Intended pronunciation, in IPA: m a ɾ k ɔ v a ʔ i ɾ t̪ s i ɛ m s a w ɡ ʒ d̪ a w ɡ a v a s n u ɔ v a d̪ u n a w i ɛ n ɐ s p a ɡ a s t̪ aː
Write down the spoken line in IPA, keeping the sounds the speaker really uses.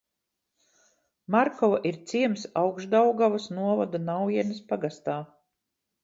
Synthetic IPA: m a ɾ k ɔ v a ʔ i ɾ t̪ s i ɛ m s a w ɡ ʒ d̪ a w ɡ a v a s n u ɔ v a d̪ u n a w i ɛ n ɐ s p a ɡ a s t̪ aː

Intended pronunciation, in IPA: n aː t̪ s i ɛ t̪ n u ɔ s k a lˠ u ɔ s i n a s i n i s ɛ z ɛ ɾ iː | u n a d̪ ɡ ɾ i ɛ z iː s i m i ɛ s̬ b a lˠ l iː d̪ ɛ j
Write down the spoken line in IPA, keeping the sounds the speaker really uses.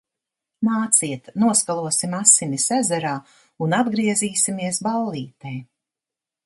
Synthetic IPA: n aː t̪ s i ɛ t̪ n u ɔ s k a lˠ u ɔ s i m a s i n i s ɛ z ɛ ɾ aː | u n a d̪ ɡ ɾ i ɛ z iː s i m i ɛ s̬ b a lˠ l iː t̪ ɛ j

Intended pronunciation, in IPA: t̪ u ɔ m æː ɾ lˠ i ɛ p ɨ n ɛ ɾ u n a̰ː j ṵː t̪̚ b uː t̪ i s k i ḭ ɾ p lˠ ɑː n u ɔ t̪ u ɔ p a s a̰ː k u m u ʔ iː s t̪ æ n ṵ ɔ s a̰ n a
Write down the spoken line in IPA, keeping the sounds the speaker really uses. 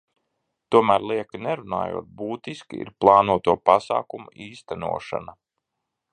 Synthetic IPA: t̪ u ɔ m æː ɾ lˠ i ɛ k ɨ n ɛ ɾ u n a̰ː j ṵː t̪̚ b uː t̪ i s k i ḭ ɾ p lˠ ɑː n u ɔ t̪ u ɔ p a s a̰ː k u m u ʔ iː s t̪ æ n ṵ ɔ ʃ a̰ n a

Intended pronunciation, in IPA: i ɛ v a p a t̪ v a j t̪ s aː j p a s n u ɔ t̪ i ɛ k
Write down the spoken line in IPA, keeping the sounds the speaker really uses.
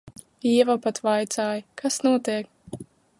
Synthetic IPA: i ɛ v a p a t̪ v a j t̪ s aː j k a s n u ɔ t̪ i ɛ k

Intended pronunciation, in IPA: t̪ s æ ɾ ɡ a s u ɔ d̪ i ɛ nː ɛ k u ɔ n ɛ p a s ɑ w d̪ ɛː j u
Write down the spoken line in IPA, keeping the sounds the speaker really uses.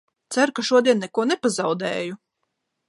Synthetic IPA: t̪ s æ ɾ k a ʃ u ɔ d̪ i ɛ nː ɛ k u ɔ n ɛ p a z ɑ w d̪ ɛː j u

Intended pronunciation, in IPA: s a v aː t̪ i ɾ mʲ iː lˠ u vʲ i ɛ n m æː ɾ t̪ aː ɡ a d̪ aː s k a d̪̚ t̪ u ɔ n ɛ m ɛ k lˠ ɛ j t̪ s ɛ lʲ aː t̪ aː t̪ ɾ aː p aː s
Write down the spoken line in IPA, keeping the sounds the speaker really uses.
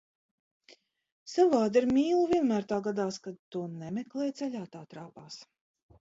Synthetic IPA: s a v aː d̪ i ɾ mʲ iː lˠ u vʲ i ɛ n m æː ɾ t̪ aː ɡ a d̪ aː s k a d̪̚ t̪ u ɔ n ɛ m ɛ k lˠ ɛ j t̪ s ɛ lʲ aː t̪ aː t̪ ɾ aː p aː s

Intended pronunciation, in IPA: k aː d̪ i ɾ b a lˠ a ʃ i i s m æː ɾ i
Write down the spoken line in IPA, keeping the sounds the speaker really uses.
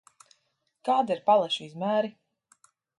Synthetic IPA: k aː d̪ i ɾ p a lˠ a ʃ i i z m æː ɾ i

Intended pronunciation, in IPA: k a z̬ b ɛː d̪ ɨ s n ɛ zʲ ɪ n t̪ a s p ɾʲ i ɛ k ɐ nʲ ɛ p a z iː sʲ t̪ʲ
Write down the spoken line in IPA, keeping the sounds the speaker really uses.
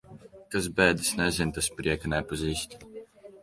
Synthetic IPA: k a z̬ b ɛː d̪ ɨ s n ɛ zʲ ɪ n t̪ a s p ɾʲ i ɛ k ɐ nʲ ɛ p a z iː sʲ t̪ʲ

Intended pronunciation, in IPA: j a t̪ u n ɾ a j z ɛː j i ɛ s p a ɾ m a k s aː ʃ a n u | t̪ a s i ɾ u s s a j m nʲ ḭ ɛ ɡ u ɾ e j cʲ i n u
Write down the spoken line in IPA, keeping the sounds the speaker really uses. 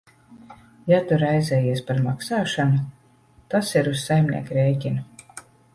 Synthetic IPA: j a t̪ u ɾ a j z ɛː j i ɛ s p a ɾ m a k s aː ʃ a n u | t̪ a s i ɾ u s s a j m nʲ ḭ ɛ k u ɾ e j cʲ i n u

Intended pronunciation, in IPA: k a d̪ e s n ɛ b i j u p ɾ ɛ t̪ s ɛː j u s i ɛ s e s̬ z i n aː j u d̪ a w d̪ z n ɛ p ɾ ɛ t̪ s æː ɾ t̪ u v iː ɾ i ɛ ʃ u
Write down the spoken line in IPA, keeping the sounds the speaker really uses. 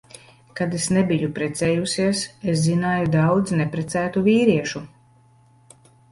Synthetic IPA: k a d̪ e s n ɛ b i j u p ɾ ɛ t̪ s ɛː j u s i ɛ s e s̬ z i n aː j u d̪ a w d̪ z n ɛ p ɾ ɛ t̪ s æː t̪ u v iː ɾ i ɛ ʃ u

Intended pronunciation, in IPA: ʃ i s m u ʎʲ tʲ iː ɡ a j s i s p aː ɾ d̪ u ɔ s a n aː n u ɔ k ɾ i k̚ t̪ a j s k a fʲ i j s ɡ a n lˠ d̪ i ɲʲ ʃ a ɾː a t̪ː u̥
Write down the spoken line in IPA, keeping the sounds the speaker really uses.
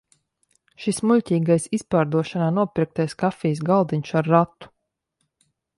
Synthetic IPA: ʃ i s m u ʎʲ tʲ iː ɡ a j s i s p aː ɾ d̪ u ɔ ʃ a n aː n u ɔ p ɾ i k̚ t̪ a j s k a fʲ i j s ɡ a lˠ d̪ i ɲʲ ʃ a ɾː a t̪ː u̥

